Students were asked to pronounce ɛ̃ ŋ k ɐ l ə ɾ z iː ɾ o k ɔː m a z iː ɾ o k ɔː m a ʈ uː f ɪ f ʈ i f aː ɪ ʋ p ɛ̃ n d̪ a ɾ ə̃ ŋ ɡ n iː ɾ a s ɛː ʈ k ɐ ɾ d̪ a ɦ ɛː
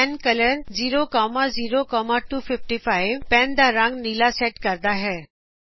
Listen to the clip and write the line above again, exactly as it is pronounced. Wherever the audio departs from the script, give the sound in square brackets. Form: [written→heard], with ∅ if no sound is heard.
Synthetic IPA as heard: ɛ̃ [ŋ→n] k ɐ l ə ɾ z iː ɾ o k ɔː m a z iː ɾ o k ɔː m a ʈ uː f ɪ f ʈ i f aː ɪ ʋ p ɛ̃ n d̪ a ɾ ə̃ ŋ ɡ n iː [ɾ→l] a s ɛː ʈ k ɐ ɾ d̪ a ɦ ɛː